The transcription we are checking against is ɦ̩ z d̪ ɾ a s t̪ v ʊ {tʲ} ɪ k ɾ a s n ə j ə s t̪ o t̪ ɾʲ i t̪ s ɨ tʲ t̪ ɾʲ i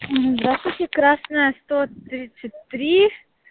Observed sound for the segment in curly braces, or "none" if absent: tʲ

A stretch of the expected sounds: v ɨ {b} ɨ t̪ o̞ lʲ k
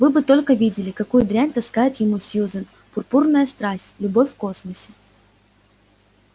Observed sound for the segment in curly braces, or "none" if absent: b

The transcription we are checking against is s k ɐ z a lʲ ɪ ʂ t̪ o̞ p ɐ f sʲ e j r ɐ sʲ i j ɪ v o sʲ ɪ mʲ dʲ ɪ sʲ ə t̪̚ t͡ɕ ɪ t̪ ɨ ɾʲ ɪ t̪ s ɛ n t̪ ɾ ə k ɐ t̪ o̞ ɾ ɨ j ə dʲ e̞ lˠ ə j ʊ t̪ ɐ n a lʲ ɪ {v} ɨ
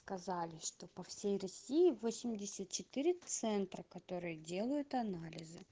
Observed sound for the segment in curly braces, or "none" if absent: z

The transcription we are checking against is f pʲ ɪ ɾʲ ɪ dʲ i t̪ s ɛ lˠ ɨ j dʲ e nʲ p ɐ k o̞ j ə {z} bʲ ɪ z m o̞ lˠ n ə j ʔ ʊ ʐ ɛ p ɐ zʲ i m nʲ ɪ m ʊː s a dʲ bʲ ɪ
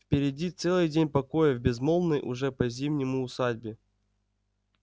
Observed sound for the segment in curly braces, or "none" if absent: v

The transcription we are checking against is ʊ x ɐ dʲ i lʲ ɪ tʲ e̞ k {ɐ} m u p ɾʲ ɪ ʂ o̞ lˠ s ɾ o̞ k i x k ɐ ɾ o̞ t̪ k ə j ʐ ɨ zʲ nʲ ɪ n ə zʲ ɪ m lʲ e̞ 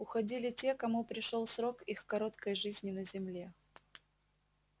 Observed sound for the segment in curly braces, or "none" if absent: ɐ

